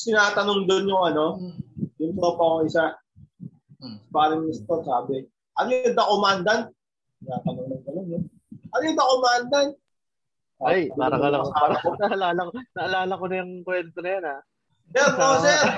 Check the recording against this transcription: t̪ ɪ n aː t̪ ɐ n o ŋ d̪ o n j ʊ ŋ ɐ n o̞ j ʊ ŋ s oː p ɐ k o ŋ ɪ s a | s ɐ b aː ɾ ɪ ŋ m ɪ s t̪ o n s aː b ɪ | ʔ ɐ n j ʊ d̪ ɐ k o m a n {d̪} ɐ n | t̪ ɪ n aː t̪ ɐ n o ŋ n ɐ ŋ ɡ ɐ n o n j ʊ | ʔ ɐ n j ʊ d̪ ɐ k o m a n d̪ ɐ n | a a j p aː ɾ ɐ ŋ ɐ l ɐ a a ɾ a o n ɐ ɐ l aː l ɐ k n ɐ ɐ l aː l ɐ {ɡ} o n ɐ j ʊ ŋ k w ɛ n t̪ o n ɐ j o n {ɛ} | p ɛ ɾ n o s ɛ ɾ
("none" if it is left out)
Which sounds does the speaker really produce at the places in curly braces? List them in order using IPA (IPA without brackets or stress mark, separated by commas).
d̪, k, a